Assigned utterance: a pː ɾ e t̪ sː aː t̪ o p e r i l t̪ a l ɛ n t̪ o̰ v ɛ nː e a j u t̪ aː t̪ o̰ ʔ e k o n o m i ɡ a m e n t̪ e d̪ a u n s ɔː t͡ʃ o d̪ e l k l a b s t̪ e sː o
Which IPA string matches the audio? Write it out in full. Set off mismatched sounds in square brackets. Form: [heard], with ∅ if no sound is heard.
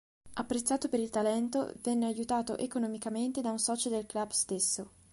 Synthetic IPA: a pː ɾ e t̪ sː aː t̪ o p e [ɾ] i l t̪ a l ɛ n t̪ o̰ v ɛ nː e a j u t̪ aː t̪ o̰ ʔ e k o n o m i [k] a m e n t̪ e d̪ a u n s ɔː t͡ʃ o d̪ e l k l a b s t̪ e sː o